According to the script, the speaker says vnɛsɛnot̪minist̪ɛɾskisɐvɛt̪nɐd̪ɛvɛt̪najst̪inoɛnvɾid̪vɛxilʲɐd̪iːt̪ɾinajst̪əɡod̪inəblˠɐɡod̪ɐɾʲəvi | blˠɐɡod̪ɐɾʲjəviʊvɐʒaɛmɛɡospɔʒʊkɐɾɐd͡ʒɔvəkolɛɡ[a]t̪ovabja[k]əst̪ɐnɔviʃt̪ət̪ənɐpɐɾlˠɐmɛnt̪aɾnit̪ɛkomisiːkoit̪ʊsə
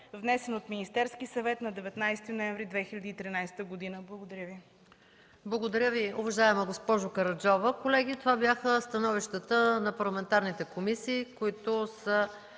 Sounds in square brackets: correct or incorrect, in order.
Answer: incorrect, incorrect

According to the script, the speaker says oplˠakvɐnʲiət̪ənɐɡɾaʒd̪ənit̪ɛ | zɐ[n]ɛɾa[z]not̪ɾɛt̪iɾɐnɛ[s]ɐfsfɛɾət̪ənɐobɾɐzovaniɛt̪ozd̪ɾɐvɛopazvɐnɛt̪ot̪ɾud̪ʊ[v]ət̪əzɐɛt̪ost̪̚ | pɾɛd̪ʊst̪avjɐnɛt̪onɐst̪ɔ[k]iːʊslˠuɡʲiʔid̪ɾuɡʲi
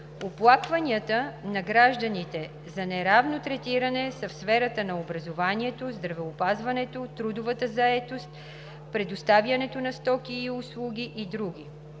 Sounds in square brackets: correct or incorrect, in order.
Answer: correct, incorrect, correct, correct, correct

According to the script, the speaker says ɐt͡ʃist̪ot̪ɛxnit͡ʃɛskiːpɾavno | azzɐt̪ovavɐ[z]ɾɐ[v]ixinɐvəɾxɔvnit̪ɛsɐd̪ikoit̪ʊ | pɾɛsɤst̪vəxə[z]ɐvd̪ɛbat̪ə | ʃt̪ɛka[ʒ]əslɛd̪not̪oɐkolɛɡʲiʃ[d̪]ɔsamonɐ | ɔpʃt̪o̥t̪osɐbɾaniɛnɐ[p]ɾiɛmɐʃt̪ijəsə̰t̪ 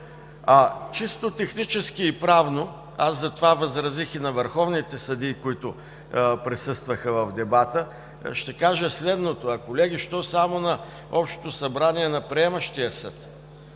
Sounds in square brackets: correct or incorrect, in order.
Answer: correct, incorrect, incorrect, correct, incorrect, correct

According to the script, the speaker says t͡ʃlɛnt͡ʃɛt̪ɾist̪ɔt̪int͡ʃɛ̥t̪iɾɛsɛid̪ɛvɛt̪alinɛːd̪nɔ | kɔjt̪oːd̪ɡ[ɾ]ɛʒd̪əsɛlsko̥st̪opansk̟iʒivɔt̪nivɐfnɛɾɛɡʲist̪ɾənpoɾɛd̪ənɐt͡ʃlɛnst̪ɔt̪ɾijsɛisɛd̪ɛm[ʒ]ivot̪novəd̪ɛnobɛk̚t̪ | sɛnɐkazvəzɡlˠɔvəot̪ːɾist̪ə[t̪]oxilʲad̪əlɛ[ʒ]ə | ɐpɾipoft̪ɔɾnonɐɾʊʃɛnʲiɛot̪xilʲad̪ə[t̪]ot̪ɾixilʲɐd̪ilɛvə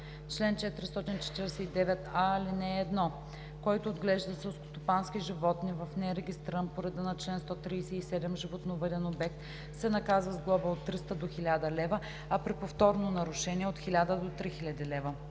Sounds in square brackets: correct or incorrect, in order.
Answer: incorrect, correct, incorrect, incorrect, incorrect

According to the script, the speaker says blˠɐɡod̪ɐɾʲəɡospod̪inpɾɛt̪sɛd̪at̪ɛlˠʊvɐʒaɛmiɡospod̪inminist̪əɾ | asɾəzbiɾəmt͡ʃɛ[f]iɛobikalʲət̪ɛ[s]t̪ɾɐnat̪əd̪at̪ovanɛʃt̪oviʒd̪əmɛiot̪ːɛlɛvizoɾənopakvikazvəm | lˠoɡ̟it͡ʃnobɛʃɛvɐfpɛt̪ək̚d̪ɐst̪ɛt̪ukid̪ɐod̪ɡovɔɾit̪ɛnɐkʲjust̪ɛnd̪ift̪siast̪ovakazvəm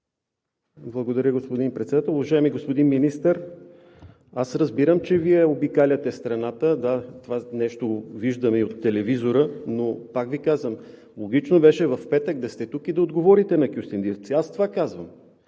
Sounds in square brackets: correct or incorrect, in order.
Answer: incorrect, correct

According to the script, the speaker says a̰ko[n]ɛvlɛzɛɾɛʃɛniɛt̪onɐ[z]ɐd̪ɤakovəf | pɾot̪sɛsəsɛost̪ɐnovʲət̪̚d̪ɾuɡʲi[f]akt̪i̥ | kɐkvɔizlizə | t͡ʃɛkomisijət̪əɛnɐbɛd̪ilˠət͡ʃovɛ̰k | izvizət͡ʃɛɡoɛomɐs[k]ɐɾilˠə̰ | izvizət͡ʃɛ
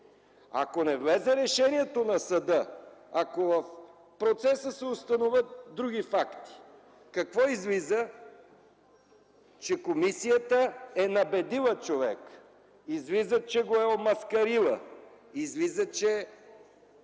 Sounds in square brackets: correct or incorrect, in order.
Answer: correct, incorrect, correct, correct

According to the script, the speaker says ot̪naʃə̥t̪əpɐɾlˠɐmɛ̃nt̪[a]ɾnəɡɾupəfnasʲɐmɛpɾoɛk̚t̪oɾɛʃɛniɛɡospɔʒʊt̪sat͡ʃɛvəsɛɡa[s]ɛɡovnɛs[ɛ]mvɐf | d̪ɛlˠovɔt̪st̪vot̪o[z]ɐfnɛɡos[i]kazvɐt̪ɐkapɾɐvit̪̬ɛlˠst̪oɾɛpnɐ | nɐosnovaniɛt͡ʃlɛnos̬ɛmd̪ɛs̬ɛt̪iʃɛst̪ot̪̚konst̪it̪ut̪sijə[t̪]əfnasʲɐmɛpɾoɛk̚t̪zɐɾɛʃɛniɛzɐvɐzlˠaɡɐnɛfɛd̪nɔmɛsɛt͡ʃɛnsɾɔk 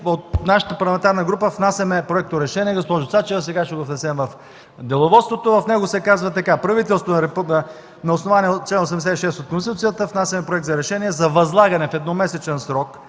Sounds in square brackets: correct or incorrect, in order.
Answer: correct, incorrect, correct, incorrect, incorrect, correct

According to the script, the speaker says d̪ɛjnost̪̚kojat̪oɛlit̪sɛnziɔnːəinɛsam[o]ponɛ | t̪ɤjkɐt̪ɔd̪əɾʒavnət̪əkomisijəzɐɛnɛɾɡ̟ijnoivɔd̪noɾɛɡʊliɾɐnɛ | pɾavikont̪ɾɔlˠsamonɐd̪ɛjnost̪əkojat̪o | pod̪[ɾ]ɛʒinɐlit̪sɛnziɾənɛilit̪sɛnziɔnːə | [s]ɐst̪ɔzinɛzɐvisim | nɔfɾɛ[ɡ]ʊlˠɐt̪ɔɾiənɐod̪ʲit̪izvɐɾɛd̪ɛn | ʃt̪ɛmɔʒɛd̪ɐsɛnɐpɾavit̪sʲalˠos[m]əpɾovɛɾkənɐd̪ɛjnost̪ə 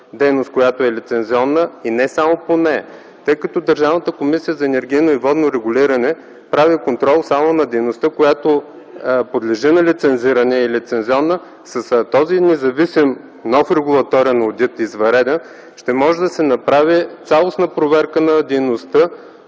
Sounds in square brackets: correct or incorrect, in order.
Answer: correct, incorrect, correct, correct, incorrect

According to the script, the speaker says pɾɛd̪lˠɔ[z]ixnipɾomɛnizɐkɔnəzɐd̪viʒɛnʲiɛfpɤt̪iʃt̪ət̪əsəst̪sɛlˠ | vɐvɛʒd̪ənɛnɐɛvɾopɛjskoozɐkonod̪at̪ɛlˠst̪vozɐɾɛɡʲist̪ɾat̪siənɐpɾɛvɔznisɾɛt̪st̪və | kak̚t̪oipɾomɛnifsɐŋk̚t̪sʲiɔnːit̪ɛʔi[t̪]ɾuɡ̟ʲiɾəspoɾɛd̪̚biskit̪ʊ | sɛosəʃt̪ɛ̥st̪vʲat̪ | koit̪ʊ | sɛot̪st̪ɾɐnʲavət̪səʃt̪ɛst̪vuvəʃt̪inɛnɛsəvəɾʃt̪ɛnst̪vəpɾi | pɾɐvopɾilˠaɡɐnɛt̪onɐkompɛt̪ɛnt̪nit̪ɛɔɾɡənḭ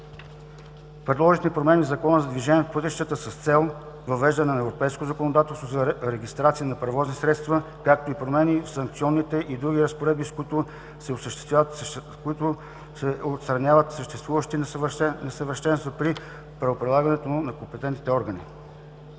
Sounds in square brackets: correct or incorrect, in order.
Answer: incorrect, incorrect

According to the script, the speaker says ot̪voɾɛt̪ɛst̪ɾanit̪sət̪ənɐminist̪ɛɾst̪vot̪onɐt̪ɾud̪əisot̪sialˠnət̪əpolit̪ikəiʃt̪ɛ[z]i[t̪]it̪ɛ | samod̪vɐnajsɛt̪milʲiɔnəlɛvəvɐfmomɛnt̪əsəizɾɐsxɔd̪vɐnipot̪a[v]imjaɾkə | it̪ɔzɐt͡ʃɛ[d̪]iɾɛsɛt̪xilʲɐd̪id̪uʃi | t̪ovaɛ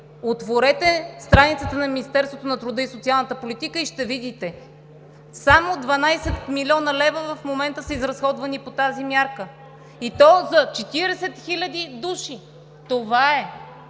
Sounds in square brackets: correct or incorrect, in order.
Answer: incorrect, incorrect, incorrect, incorrect

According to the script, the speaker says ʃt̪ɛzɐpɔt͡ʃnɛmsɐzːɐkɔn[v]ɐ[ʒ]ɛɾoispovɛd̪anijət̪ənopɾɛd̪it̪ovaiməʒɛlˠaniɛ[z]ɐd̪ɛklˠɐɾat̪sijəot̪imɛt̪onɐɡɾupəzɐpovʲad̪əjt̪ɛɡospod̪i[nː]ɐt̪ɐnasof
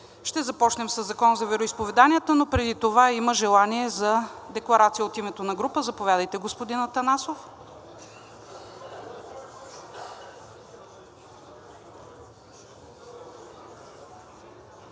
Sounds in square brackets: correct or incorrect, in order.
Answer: incorrect, incorrect, correct, incorrect

